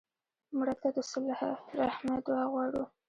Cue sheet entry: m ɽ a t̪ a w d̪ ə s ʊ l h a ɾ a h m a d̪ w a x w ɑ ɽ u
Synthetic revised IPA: m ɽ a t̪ a d̪ ə s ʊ l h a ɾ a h m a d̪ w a ɣ w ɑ ɽ u